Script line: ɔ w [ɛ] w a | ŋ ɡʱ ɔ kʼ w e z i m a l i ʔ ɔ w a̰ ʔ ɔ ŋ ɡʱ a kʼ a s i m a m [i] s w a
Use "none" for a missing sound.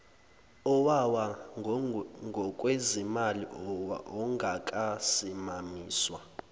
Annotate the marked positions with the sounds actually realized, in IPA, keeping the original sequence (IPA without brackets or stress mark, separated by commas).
a, iː